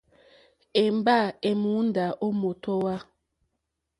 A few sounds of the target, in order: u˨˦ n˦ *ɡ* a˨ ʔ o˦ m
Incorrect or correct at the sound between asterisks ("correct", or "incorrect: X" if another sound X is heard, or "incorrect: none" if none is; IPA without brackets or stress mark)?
incorrect: d